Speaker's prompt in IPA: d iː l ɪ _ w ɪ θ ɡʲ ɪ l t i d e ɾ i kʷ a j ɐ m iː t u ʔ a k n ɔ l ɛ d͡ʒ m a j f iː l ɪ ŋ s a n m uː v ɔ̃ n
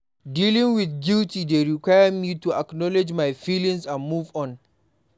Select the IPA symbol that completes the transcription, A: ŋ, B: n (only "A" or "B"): A